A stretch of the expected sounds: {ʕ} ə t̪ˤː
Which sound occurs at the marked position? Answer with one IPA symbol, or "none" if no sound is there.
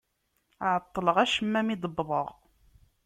ʕ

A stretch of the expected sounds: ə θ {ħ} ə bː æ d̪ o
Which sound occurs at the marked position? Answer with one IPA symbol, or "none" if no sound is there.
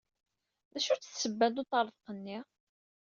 s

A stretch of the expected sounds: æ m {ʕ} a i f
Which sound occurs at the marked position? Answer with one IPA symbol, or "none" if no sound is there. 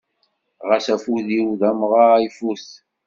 ʁ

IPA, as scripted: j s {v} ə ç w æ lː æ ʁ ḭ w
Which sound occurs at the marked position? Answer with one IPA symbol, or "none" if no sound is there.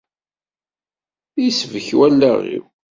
v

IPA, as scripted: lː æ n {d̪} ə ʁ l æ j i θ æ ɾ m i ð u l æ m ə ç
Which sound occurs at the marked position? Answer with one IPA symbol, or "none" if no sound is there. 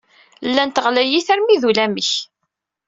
t̪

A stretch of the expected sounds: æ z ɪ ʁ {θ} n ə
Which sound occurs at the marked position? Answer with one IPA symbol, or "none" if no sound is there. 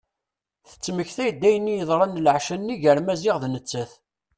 ð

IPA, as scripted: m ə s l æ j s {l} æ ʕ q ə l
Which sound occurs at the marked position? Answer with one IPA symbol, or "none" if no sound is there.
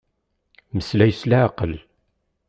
l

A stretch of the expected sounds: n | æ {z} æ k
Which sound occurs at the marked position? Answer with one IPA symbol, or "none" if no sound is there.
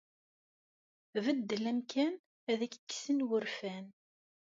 ð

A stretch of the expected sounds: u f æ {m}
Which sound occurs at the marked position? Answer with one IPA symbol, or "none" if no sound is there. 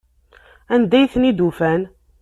n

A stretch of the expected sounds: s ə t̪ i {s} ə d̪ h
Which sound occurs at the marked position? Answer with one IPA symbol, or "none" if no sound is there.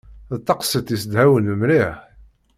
s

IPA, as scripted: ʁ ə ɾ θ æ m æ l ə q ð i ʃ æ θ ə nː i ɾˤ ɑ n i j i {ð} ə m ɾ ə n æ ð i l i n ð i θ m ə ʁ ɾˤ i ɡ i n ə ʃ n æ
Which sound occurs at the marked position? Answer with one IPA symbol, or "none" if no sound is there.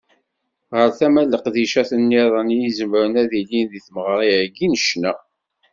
z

